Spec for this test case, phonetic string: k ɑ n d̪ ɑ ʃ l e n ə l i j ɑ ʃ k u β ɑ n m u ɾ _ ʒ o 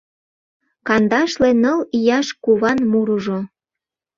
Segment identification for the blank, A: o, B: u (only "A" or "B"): B